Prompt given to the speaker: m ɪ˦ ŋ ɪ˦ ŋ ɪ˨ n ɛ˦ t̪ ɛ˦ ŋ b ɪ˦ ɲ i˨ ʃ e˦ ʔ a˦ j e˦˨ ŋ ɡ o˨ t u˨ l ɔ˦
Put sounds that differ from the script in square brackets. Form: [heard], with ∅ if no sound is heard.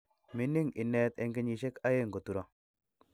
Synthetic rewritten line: m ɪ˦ [n] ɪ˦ ŋ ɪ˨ n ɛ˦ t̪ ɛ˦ ŋ [ɡ] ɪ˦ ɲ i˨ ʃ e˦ [k] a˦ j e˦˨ ŋ ɡ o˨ t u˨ [ɾ] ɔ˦